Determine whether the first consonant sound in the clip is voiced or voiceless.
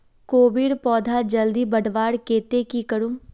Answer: voiceless